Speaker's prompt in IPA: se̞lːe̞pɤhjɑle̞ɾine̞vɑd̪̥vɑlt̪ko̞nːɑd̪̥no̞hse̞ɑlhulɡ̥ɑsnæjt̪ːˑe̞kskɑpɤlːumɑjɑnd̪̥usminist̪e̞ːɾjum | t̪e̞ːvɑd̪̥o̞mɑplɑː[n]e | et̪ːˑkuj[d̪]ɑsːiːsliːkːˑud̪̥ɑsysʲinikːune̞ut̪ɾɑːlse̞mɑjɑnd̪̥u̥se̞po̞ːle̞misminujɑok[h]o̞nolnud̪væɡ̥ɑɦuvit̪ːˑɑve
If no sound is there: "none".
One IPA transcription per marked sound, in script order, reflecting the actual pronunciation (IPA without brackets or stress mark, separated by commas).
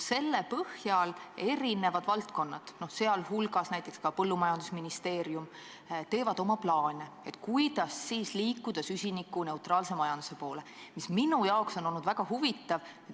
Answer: n, d̪, s